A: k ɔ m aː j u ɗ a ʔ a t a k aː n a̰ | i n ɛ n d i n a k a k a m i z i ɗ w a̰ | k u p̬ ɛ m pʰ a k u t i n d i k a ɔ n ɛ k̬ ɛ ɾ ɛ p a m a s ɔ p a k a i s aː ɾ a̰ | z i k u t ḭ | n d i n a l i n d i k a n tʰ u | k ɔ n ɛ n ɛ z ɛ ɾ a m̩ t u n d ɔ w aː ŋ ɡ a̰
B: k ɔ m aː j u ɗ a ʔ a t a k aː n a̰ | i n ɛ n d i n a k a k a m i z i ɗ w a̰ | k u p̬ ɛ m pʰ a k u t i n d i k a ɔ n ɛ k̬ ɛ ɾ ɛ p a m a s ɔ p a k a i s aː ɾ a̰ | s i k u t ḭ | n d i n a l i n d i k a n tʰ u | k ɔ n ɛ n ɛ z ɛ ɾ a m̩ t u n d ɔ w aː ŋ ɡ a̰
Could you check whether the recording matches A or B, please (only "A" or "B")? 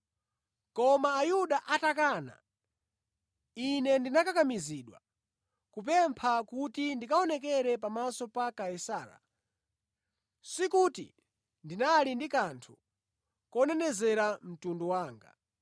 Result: B